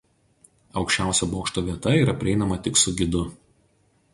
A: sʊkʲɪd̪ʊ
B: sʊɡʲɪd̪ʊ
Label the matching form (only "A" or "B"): B